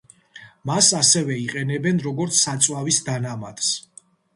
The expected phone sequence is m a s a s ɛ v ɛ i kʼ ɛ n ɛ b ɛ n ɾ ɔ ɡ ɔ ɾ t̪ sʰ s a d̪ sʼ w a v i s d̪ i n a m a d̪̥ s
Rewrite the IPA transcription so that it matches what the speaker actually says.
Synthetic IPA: m a s a s ɛ v ɛ i qʼ ɛ n ɛ b ɛ n ɾ ɔ ɡ ɔ ɾ t̪ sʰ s a t̪ sʼ w a v i s d̪ a n a m a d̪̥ s